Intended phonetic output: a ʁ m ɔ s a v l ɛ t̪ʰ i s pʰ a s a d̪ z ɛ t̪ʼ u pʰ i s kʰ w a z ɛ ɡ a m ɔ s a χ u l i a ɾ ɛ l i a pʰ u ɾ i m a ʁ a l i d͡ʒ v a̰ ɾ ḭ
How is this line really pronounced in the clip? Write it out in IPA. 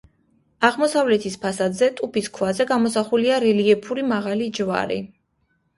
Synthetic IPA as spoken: a ʁ m ɔ s a v l ɛ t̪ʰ i s pʰ a s a d̪ z ɛ t̪ʼ u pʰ i s kʰ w a z ɛ ɡ a m ɔ s a χ u l i a ɾ ɛ l i ɛ pʰ u ɾ i m a ʁ a l i d͡ʒ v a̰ ɾ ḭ